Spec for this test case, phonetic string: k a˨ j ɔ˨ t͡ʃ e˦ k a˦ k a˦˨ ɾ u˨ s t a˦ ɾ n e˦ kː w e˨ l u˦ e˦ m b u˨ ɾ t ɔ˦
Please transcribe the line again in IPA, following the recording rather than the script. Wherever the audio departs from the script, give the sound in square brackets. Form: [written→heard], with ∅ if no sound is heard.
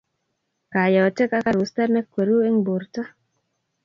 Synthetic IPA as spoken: k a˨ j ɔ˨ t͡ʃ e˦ k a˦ k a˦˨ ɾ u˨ s t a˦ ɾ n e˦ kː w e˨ [l→ɾ] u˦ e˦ [m→ŋ] b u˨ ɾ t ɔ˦